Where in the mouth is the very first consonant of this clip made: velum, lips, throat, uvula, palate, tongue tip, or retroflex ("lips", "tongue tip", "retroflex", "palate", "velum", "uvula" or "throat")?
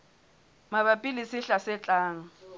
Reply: lips